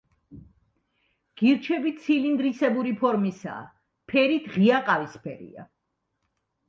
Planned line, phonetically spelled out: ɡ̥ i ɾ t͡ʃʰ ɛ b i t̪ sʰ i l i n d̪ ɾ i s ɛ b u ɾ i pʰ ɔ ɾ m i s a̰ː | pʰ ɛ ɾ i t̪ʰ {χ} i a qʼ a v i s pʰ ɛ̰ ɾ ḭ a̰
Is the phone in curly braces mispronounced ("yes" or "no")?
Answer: yes